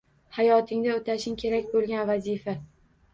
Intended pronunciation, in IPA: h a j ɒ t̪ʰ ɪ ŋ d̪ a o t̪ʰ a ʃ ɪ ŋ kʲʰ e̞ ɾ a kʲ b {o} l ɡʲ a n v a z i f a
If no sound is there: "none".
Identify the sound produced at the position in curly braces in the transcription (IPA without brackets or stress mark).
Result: o